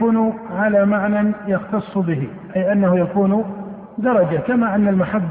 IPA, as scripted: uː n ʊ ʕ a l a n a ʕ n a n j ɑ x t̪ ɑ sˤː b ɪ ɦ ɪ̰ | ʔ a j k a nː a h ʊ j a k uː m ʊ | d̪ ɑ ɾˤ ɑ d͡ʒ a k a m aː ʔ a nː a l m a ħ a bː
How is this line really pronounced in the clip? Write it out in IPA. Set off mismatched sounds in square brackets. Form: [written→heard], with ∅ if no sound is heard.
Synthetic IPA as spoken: uː n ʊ ʕ a l a [n→m] a ʕ n a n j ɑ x t̪ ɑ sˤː b ɪ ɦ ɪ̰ | ʔ a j [k→ʔ] a nː a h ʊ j a k uː [m→n] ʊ | d̪ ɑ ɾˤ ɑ d͡ʒ a k a m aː ʔ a nː a l m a ħ a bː